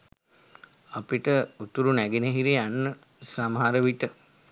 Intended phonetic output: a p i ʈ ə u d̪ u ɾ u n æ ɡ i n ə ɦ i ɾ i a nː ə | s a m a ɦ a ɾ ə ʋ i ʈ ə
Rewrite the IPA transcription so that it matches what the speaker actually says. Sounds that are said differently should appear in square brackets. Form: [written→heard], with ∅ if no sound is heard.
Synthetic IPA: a p i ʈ ə u [d̪→t̪] u ɾ u n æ ɡ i n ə ɦ i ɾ i a nː ə | s a m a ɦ a ɾ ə ʋ i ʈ ə